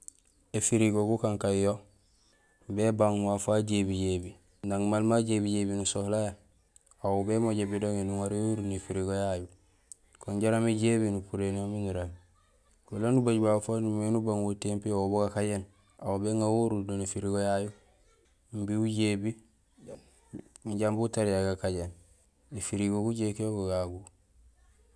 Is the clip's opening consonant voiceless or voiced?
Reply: voiceless